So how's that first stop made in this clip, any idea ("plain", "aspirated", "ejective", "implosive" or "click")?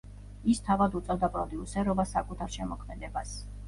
aspirated